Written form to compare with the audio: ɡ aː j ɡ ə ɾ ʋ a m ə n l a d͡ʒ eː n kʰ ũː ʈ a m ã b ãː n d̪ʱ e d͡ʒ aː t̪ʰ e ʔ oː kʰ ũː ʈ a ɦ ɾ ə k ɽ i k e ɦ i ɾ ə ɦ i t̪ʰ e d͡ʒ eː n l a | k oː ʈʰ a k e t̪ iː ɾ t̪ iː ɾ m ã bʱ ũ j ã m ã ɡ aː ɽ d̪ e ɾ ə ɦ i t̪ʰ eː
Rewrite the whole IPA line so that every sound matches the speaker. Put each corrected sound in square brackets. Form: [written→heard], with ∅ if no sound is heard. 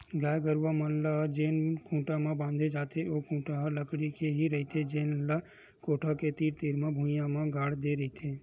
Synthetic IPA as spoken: ɡ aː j ɡ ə ɾ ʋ a m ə n l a d͡ʒ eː n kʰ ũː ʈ a m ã b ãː n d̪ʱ e d͡ʒ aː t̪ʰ e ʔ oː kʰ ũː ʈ a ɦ [ɾ→l] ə k ɽ i k e ɦ i ɾ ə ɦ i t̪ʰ e d͡ʒ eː n l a | k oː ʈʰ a k e t̪ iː ɾ t̪ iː ɾ m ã bʱ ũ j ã m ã ɡ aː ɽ d̪ e ɾ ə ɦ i t̪ʰ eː